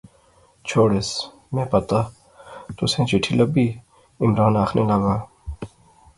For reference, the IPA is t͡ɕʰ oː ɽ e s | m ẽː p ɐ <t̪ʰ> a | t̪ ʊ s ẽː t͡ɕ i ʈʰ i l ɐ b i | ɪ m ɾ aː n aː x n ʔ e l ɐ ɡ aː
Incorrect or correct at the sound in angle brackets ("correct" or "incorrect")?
incorrect